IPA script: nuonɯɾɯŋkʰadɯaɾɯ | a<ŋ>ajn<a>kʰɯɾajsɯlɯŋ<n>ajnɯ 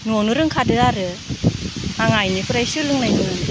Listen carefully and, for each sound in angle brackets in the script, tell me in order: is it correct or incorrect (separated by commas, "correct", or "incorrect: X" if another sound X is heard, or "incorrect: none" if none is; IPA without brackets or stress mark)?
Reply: correct, incorrect: i, correct